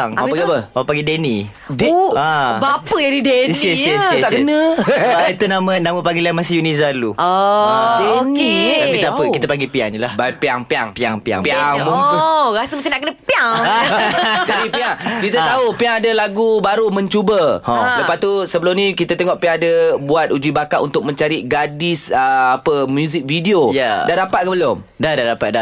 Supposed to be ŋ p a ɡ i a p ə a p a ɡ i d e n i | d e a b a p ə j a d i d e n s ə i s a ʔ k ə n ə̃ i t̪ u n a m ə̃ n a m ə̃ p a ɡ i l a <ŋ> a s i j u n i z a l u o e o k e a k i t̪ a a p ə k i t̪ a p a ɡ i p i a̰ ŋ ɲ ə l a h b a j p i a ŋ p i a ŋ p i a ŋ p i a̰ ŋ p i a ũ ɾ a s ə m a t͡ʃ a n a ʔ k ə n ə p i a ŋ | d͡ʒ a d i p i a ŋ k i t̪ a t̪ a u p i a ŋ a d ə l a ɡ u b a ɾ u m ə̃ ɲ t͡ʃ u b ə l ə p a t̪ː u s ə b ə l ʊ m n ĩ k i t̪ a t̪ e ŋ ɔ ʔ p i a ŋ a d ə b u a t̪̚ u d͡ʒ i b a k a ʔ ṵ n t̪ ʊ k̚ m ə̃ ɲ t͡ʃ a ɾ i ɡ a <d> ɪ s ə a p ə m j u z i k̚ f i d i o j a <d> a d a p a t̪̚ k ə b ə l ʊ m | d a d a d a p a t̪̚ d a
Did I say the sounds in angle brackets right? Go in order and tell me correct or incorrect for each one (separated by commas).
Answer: incorrect, correct, correct